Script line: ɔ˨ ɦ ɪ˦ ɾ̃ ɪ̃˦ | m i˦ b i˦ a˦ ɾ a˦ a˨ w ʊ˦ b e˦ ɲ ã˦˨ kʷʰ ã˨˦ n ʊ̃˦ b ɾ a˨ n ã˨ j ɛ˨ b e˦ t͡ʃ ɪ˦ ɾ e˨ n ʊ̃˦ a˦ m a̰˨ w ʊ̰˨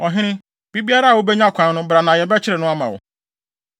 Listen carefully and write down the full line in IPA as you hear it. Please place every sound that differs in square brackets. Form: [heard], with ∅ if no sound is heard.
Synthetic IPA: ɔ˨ ɦ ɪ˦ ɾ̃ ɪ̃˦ | [b] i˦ b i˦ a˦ ɾ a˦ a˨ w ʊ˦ b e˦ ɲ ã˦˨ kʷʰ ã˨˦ n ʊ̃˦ b ɾ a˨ n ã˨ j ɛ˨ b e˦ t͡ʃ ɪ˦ ɾ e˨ n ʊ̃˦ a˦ m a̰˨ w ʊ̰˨